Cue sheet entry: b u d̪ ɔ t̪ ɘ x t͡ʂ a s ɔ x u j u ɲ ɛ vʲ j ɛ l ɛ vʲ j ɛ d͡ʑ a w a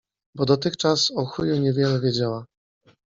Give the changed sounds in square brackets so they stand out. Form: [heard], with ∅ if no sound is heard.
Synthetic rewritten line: b [ɔ] d̪ ɔ t̪ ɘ x t͡ʂ a s ɔ x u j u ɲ ɛ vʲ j ɛ l ɛ vʲ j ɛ d͡ʑ a w a